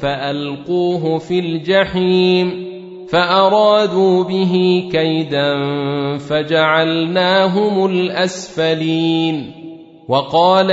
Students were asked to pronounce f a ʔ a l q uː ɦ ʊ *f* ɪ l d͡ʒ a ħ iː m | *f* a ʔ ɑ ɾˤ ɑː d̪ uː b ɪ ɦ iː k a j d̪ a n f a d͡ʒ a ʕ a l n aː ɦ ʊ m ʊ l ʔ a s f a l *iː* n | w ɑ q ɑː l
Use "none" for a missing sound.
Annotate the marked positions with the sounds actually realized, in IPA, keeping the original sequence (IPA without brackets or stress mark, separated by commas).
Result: f, f, iː